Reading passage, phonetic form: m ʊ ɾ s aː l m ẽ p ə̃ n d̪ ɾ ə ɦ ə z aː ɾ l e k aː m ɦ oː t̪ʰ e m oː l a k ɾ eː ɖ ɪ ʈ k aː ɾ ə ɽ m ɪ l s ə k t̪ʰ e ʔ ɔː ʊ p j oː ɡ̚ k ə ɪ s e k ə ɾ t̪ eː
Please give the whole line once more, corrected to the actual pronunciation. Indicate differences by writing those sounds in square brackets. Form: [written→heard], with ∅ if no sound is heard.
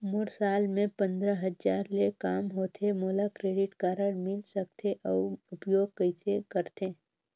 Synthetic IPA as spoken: m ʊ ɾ s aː l m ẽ p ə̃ n d̪ ɾ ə ɦ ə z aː ɾ l e k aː m ɦ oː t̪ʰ e m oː l a k ɾ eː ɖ ɪ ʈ k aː ɾ ə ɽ m ɪ l s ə k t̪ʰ e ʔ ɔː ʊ p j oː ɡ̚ k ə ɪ s e k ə ɾ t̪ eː